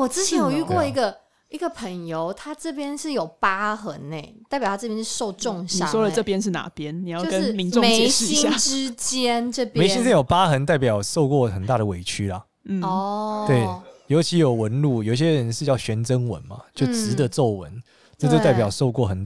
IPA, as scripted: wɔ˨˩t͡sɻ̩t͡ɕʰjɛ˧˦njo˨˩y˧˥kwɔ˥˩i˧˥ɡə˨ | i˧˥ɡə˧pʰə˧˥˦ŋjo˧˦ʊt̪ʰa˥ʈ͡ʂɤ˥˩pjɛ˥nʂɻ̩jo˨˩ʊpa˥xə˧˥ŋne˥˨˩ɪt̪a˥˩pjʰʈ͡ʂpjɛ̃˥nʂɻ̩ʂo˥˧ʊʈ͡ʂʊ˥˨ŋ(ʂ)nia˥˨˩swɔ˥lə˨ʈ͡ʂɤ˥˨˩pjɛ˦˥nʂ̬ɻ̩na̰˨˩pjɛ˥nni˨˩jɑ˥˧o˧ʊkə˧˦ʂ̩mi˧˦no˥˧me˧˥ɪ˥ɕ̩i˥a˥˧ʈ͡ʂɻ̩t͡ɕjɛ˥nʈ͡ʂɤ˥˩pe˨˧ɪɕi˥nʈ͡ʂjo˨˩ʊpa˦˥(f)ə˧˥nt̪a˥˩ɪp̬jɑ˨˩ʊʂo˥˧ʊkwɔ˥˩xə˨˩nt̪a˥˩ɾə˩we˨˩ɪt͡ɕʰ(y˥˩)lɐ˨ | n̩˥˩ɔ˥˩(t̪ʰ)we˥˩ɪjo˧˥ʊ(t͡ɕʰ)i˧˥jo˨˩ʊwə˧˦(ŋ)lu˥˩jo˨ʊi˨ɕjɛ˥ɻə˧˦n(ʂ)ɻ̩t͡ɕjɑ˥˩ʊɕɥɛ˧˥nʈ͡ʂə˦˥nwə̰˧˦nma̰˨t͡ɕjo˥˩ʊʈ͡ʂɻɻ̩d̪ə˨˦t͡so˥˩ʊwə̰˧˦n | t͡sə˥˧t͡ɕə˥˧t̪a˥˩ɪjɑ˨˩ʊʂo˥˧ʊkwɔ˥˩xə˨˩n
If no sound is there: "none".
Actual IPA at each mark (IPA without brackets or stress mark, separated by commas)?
ɕ, x, y˥, t̪, t͡ɕʰ, n, ʂ